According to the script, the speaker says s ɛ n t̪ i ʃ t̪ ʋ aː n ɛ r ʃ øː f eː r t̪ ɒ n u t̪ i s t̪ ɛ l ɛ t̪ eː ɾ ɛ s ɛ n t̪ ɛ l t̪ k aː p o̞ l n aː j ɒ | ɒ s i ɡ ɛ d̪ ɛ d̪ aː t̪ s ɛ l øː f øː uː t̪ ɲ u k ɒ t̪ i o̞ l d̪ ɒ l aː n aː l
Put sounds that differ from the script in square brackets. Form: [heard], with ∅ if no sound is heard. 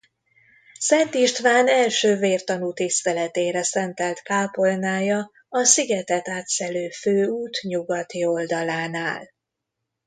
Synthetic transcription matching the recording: s ɛ n t̪ i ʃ t̪ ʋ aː n ɛ [l] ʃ øː [v] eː r t̪ ɒ n u t̪ i s t̪ ɛ l ɛ t̪ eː ɾ ɛ s ɛ n t̪ ɛ l t̪ k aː p o̞ l n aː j ɒ | ɒ s i ɡ ɛ [t̪] ɛ [t̪] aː t̪ s ɛ l øː f øː uː t̪ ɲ u [ɡ] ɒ t̪ i o̞ l d̪ ɒ l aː n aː l